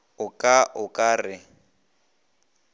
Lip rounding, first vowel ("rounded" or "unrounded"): rounded